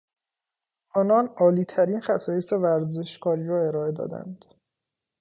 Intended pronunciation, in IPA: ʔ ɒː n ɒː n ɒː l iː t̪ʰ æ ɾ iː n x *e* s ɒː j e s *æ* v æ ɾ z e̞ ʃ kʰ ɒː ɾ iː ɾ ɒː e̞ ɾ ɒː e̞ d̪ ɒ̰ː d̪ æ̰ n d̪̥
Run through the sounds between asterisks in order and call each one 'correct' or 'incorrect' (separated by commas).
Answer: incorrect, incorrect